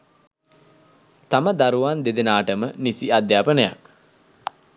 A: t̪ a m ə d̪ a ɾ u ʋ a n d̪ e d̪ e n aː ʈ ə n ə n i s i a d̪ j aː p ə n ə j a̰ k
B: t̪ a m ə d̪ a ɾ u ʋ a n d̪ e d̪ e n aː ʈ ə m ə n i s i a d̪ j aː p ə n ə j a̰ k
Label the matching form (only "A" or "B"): B